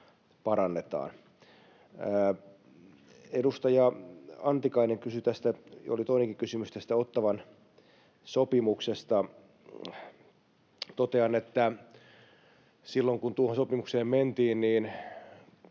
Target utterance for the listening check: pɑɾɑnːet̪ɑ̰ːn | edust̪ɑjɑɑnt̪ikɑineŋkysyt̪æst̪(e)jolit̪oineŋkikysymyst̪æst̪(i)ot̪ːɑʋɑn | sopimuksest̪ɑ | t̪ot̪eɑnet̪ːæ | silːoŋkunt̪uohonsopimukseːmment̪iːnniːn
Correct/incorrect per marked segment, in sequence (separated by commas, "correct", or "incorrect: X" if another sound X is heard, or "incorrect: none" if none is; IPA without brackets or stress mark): incorrect: æ, incorrect: æ